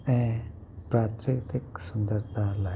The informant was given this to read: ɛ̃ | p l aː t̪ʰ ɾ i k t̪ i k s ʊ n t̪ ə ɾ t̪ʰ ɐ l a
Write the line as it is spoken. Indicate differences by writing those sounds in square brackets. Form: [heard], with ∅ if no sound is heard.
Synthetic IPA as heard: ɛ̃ | p [ɾ] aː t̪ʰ ɾ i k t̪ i k s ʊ n [d̪] ə ɾ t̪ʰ [a] l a